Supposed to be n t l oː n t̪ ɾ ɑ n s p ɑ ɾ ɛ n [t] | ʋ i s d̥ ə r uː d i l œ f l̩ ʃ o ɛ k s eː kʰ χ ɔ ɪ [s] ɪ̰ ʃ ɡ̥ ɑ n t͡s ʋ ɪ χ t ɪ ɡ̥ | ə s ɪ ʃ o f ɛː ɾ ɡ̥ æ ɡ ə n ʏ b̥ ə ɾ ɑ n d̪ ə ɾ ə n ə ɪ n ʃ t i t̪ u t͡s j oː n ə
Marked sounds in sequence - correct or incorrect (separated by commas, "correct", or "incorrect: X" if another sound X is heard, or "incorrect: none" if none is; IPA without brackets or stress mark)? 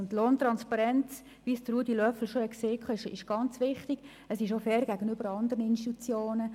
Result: incorrect: t͡s, incorrect: ʃ